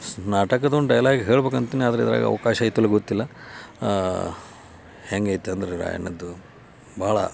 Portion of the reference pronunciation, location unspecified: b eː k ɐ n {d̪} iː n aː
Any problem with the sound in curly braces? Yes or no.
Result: yes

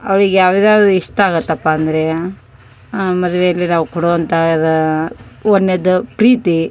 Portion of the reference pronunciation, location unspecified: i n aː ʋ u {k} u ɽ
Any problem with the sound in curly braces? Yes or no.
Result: no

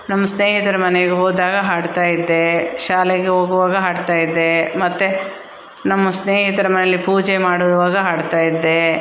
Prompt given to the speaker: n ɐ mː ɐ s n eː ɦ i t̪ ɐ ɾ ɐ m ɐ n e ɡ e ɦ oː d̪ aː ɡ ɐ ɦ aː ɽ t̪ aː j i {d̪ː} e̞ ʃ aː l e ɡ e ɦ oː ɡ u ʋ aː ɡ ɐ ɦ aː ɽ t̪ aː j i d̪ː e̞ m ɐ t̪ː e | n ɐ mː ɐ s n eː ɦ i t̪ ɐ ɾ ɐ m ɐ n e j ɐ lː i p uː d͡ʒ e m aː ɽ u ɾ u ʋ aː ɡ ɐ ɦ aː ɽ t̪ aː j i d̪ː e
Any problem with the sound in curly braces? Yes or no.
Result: no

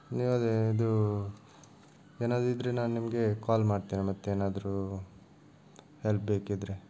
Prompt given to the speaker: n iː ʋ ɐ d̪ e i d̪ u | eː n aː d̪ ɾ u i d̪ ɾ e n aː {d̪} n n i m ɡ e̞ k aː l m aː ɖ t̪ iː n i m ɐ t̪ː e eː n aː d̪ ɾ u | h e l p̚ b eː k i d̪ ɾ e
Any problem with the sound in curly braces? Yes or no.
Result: yes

